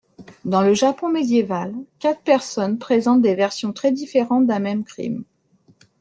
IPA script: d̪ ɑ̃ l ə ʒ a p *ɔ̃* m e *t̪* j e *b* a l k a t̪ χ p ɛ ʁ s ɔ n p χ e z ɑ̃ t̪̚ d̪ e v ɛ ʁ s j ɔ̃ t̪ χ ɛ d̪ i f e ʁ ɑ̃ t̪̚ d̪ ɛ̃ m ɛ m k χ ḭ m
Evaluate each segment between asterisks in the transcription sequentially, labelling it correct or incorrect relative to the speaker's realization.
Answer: correct, incorrect: d̪, incorrect: v

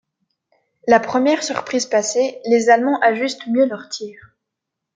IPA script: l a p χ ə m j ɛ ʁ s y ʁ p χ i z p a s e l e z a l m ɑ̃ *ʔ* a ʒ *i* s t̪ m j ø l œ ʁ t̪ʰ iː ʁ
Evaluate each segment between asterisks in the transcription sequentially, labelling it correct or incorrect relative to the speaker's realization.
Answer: correct, incorrect: y

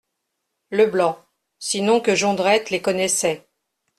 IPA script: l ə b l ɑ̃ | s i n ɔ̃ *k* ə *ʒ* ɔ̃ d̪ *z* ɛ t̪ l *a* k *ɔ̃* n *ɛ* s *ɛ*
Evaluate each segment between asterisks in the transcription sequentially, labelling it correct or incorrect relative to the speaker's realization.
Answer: correct, correct, incorrect: ʁ, incorrect: e, incorrect: ɔ, correct, correct

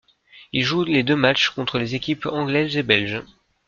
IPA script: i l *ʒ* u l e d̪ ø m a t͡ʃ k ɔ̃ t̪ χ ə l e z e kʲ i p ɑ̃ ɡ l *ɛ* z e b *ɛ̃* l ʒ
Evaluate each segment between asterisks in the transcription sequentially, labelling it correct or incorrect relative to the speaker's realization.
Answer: correct, correct, incorrect: ɛ

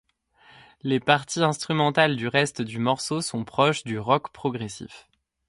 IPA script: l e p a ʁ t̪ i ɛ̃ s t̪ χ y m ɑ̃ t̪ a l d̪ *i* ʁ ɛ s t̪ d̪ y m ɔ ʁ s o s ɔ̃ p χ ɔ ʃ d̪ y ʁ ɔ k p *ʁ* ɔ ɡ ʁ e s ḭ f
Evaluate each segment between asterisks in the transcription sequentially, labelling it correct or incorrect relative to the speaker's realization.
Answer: incorrect: y, incorrect: χ

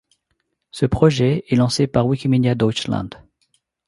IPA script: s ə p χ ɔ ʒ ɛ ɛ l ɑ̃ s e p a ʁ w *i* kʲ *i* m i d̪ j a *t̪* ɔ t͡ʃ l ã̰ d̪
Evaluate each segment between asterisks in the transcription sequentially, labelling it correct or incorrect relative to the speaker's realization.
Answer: correct, correct, incorrect: d̪

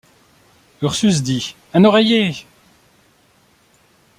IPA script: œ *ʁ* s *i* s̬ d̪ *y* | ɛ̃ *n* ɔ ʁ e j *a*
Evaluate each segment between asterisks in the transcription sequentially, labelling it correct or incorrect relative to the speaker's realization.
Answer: correct, incorrect: y, incorrect: i, correct, incorrect: e

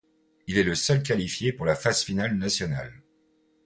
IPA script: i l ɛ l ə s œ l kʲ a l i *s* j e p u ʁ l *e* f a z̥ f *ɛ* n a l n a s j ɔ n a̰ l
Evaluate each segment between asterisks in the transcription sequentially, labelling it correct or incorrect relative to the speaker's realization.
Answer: incorrect: f, incorrect: a, incorrect: i

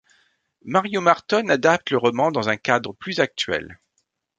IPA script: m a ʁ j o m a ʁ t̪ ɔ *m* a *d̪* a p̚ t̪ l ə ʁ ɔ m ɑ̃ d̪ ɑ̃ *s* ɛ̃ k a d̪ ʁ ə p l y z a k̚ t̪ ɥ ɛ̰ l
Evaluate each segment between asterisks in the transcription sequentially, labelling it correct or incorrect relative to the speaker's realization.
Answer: incorrect: n, correct, incorrect: z

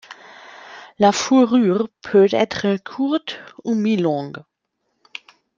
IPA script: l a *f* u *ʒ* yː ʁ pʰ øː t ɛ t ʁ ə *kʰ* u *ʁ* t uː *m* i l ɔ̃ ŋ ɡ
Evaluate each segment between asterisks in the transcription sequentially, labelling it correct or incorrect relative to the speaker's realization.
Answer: correct, incorrect: ʁ, correct, correct, correct

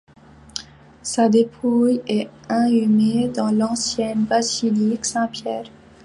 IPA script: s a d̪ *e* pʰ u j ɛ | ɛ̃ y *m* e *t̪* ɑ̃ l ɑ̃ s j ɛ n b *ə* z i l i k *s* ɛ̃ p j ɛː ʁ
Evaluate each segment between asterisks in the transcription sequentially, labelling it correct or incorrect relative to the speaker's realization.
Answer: correct, correct, incorrect: d̪, incorrect: a, correct

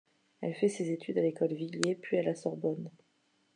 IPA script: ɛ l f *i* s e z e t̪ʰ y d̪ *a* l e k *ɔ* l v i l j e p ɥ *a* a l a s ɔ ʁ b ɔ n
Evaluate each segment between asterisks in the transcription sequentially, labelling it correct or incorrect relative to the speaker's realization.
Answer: incorrect: ɛ, correct, correct, incorrect: i

